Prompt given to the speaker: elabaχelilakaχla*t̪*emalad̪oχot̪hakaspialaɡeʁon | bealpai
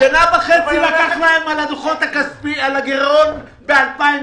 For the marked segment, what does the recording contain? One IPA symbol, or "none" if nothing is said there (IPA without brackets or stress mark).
none